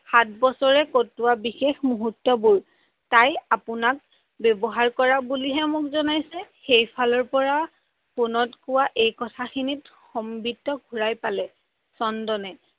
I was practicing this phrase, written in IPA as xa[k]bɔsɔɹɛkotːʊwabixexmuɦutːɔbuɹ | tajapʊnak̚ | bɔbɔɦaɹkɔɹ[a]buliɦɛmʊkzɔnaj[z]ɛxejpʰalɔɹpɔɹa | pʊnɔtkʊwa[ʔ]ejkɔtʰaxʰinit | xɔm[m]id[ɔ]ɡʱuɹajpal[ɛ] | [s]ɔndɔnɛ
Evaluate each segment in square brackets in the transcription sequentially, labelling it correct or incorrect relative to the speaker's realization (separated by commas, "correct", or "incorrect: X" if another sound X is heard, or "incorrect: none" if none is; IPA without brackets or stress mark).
incorrect: t, correct, incorrect: s, correct, incorrect: b, correct, correct, correct